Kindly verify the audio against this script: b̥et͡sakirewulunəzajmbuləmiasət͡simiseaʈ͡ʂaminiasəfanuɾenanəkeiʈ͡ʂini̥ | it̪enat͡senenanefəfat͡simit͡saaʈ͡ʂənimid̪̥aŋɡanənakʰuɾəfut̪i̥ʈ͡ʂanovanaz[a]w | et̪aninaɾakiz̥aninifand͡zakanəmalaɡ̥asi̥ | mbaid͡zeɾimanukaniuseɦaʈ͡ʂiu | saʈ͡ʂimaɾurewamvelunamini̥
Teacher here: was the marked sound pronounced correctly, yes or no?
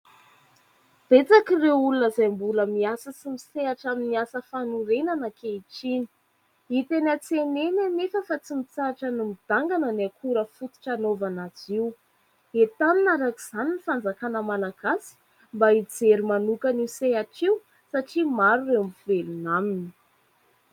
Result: no